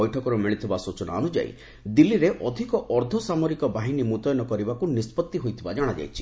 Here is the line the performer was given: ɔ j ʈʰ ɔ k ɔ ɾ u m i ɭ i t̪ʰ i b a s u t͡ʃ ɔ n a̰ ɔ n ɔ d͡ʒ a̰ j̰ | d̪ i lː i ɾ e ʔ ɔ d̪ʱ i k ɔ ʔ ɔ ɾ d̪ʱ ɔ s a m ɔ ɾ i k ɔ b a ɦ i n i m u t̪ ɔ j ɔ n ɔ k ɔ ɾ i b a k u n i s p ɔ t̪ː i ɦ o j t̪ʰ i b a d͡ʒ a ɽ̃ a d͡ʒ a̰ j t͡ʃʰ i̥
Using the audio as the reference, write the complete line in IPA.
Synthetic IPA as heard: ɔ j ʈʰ ɔ k ɔ ɾ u m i ɭ i t̪ʰ i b a s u t͡ʃ ɔ n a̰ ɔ n u d͡ʒ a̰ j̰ | d̪ i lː i ɾ e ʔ ɔ d̪ʱ i k ɔ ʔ ɔ ɾ d̪ʱ ɔ s a m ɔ ɾ i k ɔ b a ɦ i n i m u t̪ ɔ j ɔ n ɔ k ɔ ɾ i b a k u n i s p ɔ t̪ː i ɦ o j t̪ʰ i b a d͡ʒ a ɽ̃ a d͡ʒ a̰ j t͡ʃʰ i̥